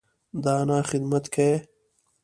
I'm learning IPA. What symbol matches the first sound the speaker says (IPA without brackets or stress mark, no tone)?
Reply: d̪